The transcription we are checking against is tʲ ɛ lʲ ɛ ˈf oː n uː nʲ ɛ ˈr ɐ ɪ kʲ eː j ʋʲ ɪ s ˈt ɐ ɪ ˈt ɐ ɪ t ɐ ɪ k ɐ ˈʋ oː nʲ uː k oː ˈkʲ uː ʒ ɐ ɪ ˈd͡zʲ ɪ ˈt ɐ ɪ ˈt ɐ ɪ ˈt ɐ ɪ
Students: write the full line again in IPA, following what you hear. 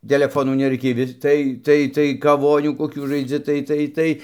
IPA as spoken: tʲ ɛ lʲ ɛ ˈf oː n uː nʲ ɛ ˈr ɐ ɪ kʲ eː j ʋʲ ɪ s ˈt ɐ ɪ ˈt ɐ ɪ t ɐ ɪ k ɐ ˈʋ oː nʲ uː k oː ˈkʲ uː ʒ ɐ ɪ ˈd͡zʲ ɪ ˈt ɐ ɪ ˈt ɐ ɪ ˈt ɐ ɪ